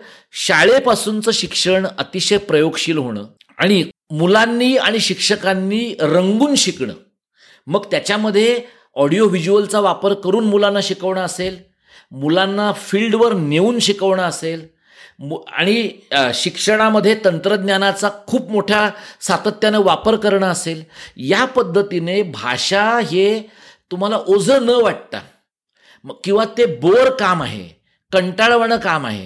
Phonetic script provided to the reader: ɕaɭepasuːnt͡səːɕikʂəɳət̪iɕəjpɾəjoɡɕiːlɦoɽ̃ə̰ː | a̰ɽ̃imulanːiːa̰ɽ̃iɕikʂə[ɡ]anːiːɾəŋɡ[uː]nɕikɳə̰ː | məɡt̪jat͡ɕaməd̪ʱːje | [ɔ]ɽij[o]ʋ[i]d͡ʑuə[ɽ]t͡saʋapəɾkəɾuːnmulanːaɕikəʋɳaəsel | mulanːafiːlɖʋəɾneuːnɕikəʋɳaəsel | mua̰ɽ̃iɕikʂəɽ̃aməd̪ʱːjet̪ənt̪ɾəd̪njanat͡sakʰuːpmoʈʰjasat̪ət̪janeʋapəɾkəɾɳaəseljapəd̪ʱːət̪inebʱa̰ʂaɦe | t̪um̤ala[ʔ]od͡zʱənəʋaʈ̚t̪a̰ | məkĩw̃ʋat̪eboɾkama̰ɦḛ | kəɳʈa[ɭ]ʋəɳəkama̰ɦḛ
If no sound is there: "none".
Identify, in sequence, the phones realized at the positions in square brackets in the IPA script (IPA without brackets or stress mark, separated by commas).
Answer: k, uː, ɔ, o, i, l, ʔ, ɭ